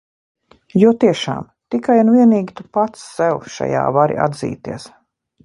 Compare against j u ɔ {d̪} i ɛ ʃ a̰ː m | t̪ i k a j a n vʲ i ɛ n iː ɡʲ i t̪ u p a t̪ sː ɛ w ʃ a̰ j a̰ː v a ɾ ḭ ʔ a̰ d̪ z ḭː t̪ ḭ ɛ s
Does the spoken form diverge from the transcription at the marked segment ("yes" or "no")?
yes